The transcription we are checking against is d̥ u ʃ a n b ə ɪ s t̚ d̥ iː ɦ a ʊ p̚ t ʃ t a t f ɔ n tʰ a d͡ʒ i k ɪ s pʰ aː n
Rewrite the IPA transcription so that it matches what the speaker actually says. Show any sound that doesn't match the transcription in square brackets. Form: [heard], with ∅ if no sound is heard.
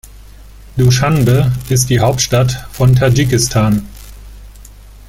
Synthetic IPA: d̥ u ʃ a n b ə ɪ s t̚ d̥ iː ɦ a ʊ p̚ t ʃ t a t f ɔ n tʰ a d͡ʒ i k ɪ s [tʰ] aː n